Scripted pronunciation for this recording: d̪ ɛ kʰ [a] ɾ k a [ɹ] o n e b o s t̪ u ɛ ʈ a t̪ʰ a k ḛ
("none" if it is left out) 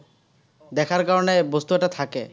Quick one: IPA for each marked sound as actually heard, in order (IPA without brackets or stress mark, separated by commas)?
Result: a, ɾ